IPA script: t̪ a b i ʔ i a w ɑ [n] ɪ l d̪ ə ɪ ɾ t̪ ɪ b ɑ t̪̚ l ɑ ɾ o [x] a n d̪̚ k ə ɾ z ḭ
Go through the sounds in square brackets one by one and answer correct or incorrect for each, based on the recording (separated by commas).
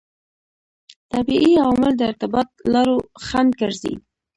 incorrect, correct